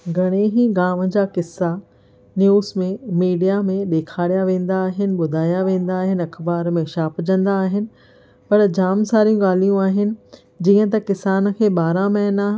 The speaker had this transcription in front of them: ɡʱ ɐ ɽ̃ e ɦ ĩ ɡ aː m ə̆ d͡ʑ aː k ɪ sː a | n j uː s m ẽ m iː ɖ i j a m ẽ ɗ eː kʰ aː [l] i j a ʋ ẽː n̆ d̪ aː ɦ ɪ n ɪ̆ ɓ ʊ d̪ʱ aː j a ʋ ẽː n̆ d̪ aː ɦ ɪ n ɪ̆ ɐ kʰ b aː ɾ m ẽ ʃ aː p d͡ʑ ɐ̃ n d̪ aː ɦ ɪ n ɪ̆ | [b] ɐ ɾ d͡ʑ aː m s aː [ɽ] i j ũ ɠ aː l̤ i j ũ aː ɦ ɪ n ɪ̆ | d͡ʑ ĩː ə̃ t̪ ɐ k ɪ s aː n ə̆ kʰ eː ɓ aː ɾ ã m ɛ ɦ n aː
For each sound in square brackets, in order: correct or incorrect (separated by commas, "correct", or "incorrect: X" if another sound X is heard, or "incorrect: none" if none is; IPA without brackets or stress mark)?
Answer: incorrect: ɽ, incorrect: p, incorrect: ɾ